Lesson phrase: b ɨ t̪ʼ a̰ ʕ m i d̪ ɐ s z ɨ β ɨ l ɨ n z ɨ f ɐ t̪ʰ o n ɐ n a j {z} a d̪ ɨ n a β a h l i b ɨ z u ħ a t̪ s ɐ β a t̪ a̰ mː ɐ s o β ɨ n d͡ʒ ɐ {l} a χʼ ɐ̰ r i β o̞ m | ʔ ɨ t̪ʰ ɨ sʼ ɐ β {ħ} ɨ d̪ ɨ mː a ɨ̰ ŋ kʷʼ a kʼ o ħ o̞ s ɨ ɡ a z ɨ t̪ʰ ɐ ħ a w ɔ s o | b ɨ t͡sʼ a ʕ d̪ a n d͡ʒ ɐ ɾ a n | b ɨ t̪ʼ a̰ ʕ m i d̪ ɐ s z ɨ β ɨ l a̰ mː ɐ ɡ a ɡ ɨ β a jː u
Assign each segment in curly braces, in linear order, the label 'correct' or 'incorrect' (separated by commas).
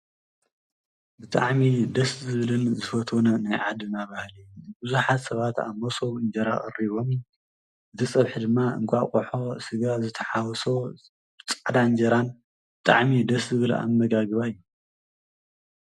incorrect, incorrect, correct